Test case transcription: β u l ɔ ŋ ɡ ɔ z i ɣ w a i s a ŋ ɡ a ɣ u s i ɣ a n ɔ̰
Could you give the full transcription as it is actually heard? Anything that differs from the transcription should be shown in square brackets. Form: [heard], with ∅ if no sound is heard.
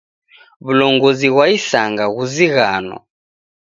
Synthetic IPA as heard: β u l ɔ ŋ ɡ ɔ z i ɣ w a i s a ŋ ɡ a ɣ u [z] i ɣ a n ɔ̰